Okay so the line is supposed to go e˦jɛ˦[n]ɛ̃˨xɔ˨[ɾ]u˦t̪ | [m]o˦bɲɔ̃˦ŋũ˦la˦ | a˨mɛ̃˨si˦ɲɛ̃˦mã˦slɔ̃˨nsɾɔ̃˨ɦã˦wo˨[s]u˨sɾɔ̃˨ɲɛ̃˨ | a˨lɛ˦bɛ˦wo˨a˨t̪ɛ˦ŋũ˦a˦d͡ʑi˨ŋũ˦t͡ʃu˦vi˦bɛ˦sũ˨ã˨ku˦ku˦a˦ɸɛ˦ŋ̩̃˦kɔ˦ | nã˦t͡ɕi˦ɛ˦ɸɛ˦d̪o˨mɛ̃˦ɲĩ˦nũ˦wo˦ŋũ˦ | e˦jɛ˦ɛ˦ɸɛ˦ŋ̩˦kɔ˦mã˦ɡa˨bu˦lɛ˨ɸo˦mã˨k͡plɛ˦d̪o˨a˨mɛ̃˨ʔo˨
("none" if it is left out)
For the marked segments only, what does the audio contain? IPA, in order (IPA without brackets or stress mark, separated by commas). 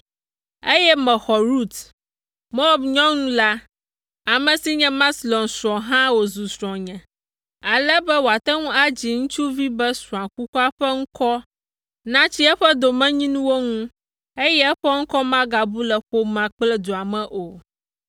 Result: m, ɾ, m, z